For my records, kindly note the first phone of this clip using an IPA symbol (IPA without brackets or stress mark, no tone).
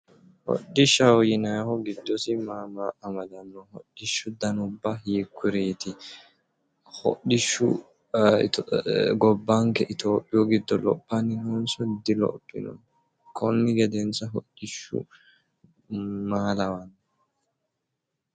h